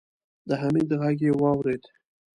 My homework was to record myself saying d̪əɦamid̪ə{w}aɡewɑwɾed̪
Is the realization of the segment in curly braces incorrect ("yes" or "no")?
yes